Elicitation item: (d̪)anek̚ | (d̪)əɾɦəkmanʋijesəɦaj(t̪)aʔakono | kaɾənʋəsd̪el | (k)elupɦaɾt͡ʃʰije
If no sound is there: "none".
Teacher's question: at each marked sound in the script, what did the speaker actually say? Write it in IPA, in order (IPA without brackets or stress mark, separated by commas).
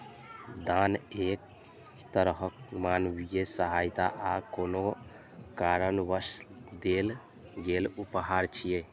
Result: d̪, t̪, t̪, ɡ